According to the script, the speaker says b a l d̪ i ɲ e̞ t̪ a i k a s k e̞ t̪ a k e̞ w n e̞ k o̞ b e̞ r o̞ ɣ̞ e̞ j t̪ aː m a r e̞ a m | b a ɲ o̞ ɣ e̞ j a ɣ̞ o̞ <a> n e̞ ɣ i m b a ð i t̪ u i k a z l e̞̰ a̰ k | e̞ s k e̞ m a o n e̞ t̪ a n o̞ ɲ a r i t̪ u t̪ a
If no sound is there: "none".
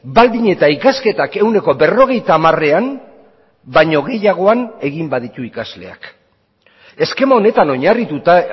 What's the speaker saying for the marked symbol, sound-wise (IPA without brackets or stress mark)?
a